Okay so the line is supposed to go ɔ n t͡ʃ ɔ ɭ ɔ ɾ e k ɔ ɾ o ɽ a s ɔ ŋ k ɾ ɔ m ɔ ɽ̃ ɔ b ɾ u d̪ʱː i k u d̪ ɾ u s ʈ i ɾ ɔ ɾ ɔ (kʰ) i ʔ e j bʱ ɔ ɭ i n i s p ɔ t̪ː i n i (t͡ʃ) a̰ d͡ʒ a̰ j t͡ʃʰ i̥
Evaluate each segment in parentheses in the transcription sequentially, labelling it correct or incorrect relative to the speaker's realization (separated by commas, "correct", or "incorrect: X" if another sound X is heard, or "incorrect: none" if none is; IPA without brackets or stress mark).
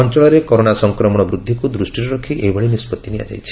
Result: correct, incorrect: none